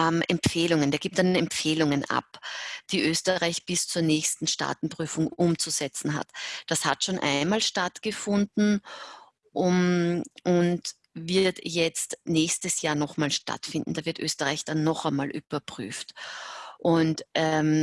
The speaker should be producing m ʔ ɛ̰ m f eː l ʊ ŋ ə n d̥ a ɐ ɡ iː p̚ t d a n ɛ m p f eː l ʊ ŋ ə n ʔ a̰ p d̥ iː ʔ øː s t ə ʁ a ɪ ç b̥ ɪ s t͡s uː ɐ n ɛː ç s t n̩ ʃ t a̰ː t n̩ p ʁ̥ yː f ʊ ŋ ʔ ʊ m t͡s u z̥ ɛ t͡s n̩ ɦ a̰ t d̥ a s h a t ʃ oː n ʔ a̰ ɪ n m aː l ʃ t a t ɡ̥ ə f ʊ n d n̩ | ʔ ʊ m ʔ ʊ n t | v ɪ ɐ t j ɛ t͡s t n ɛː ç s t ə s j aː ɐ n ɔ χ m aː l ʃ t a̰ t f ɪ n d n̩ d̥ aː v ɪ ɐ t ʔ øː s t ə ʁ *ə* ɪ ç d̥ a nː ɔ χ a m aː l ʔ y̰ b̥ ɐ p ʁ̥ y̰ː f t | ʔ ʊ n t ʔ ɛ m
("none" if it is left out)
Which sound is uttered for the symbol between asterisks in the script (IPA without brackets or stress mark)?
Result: a